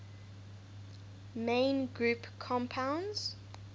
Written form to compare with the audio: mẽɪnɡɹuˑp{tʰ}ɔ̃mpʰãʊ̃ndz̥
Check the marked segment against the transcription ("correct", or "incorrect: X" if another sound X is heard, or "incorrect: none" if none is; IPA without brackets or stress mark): incorrect: kʰ